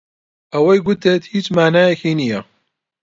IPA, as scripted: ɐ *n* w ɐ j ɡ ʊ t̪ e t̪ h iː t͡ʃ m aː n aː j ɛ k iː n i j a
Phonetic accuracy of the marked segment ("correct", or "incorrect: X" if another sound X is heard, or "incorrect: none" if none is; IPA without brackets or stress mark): incorrect: none